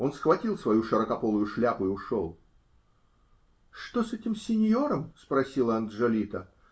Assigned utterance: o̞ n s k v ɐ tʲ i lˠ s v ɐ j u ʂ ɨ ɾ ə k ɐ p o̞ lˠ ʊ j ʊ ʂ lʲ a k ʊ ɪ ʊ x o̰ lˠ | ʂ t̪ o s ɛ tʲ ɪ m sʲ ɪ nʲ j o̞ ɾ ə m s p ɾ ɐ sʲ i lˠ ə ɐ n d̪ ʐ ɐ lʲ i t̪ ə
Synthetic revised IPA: o̞ n s x v ɐ tʲ i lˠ s v ɐ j u ʂ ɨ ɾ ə k ɐ p o̞ lˠ ʊ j ʊ ʂ lʲ a p ʊ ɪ ʊ ʂ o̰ lˠ | ʂ t̪ o s ɛ tʲ ɪ m sʲ ɪ nʲ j o̞ ɾ ə m s p ɾ ɐ sʲ i lˠ ə ɐ n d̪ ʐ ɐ lʲ i t̪ ə